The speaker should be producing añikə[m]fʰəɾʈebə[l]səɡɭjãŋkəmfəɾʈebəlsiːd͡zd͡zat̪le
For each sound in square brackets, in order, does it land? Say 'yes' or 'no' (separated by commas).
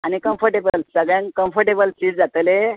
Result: yes, yes